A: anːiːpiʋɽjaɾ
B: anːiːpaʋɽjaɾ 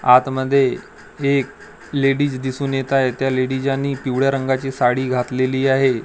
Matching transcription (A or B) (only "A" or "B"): A